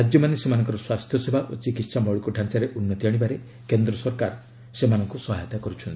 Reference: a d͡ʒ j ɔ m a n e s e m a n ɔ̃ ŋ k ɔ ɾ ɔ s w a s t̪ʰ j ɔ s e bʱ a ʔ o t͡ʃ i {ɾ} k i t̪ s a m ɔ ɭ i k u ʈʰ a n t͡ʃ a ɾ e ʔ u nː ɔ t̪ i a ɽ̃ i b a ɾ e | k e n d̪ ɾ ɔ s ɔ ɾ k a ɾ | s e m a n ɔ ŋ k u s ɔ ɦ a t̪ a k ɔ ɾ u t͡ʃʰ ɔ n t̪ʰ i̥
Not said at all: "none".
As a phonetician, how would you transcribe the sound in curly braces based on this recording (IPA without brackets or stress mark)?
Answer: none